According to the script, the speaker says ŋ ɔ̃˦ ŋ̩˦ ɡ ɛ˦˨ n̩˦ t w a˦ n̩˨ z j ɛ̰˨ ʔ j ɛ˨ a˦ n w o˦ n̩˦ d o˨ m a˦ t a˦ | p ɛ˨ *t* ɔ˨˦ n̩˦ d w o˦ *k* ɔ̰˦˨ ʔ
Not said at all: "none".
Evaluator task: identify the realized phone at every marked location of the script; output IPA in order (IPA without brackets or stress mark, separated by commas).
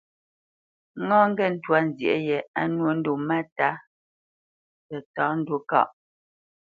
t, k